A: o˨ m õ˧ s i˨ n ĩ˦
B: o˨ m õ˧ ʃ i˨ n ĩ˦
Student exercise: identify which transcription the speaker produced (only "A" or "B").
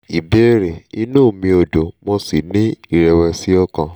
A